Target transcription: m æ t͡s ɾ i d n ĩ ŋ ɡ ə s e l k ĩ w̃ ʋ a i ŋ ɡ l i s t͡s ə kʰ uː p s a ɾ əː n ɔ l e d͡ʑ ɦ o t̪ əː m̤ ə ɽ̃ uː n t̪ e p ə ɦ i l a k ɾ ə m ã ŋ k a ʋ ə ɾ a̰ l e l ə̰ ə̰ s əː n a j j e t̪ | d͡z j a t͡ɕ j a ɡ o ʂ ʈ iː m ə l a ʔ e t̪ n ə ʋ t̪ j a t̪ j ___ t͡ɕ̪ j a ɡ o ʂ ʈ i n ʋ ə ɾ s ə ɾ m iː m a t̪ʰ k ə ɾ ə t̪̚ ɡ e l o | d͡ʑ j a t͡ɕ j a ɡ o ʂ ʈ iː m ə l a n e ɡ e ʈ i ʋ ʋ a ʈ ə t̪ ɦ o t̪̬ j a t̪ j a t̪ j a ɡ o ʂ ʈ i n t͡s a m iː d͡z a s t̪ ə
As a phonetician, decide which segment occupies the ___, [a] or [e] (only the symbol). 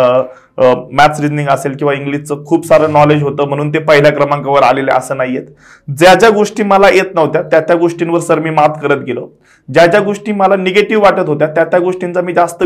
a